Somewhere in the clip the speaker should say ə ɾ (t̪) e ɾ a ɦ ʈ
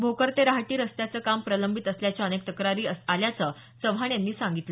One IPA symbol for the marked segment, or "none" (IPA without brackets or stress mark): t̪